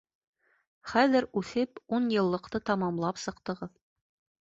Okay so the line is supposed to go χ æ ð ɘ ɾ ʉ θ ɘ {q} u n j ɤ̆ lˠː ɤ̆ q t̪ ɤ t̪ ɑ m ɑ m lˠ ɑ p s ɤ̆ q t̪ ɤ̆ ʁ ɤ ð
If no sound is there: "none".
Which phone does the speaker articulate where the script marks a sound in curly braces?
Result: p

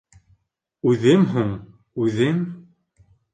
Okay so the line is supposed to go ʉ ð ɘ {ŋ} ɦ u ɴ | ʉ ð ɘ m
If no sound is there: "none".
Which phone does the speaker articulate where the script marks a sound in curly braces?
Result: m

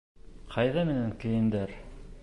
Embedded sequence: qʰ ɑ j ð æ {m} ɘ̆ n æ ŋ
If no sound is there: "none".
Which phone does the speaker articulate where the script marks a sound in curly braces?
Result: m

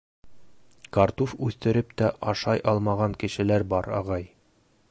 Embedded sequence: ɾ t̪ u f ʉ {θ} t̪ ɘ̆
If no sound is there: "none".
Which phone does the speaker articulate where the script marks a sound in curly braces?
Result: θ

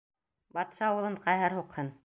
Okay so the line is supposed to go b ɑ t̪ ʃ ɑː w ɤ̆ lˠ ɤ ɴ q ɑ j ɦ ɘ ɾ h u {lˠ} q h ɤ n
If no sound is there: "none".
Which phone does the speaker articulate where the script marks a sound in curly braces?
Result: none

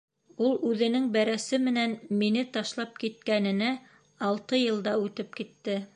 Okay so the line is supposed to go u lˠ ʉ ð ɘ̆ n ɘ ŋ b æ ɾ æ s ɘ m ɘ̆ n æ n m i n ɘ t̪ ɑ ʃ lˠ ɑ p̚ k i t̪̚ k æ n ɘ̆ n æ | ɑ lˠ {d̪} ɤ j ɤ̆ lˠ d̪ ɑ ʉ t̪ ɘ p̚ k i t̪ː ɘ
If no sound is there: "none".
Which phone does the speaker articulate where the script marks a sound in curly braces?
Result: t̪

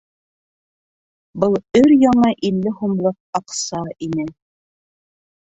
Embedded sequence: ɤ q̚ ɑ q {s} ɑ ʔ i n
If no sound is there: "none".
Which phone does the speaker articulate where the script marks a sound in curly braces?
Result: s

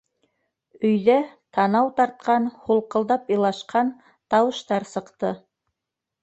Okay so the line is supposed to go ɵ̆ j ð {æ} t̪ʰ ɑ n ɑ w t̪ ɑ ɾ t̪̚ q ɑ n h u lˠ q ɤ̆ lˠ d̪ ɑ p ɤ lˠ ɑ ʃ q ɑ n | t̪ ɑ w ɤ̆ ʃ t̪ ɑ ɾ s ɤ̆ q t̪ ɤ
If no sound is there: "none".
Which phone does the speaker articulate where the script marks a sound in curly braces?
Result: æ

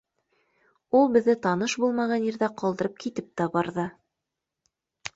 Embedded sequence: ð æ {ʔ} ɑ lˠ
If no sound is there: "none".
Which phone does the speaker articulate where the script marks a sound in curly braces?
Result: q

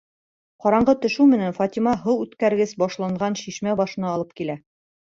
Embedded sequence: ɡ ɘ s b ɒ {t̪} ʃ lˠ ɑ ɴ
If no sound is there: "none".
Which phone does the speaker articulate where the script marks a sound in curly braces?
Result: none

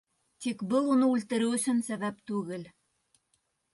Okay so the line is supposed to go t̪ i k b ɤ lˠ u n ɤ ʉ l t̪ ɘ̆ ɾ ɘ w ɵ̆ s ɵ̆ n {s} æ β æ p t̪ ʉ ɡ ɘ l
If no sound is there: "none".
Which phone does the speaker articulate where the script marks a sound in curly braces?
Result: s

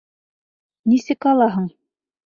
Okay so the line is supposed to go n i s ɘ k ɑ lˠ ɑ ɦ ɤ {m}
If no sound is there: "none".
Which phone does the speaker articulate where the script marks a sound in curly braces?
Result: ɴ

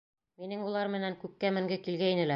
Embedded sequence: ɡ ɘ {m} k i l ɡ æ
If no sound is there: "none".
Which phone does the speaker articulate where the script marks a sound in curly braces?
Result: none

